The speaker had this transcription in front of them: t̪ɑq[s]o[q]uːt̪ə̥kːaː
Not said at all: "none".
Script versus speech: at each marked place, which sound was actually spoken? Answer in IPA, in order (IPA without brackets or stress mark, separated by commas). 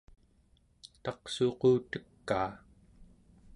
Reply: s, q